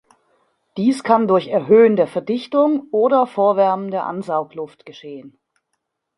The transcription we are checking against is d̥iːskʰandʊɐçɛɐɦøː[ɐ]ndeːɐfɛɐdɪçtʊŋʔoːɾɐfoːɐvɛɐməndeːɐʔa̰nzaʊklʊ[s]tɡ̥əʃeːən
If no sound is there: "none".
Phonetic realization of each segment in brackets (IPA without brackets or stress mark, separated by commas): ə, f